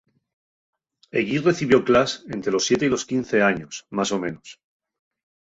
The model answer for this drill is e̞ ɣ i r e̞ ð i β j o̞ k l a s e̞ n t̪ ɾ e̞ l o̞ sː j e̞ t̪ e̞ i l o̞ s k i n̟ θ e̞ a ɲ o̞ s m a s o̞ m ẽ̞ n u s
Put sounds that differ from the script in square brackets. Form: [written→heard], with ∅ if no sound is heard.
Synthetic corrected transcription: e̞ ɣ i r e̞ [ð→θ] i β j o̞ k l a s e̞ n t̪ ɾ e̞ l o̞ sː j e̞ t̪ e̞ i l o̞ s k i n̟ θ e̞ a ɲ o̞ s m a s o̞ m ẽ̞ n [u→o] s